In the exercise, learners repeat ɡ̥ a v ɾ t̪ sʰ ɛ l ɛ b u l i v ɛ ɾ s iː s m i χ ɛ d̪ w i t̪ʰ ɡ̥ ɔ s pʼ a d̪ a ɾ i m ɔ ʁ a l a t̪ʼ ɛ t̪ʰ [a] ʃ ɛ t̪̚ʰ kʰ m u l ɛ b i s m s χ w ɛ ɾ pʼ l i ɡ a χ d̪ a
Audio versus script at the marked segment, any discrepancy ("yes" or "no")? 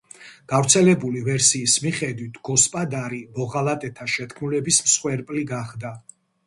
no